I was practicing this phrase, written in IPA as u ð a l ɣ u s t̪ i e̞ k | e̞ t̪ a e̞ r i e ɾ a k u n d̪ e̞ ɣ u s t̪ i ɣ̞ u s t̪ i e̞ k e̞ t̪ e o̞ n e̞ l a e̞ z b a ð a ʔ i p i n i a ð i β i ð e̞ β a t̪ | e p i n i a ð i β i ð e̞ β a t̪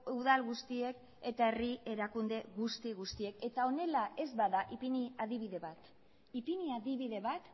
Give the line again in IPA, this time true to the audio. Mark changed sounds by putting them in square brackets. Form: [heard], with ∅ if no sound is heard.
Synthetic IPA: u ð a l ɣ u s t̪ i e̞ k | e̞ t̪ a e̞ r i e ɾ a k u n d̪ e̞ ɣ u s t̪ i ɣ̞ u s t̪ i e̞ k e̞ t̪ [a] o̞ n e̞ l a e̞ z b a ð a ʔ i p i n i a ð i β i ð e̞ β a t̪ | [i] p i n i a ð i β i ð e̞ β a t̪